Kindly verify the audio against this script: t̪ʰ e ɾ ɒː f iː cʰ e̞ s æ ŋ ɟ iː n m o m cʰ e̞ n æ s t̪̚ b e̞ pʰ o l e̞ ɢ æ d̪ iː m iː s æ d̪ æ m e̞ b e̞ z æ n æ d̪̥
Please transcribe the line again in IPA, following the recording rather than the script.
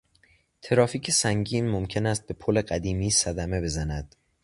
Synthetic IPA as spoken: t̪ʰ e ɾ ɒː f iː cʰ e̞ s æ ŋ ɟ iː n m o m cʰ e̞ n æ s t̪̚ b e̞ pʰ o l e̞ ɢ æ d̪ iː m iː s æ d̪ æ m e̞ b e̞ z æ n æ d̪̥

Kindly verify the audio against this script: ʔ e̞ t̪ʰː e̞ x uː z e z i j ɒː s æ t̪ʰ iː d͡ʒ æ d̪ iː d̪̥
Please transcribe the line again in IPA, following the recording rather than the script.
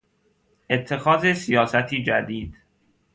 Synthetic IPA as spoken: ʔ e̞ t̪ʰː e̞ x ɒː z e s i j ɒː s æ t̪ʰ iː d͡ʒ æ d̪ iː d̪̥

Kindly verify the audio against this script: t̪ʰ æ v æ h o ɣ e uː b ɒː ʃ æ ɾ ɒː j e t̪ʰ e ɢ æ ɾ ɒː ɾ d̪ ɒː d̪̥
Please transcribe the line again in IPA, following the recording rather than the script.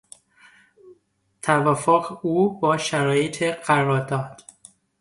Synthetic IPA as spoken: t̪ʰ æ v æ f o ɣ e uː b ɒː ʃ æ ɾ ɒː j e t̪ʰ e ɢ æ ɾ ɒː ɾ d̪ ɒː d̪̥

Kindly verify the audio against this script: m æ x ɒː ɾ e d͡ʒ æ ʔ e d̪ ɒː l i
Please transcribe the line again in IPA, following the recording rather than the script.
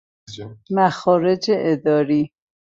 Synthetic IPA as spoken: m æ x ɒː ɾ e d͡ʒ e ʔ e d̪ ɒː ɾ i

